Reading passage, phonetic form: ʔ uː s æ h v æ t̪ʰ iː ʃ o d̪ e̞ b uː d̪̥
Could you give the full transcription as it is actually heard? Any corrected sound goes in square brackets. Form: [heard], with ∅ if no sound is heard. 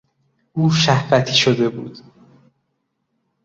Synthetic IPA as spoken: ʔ uː [ʃ] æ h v æ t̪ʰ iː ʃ o d̪ e̞ b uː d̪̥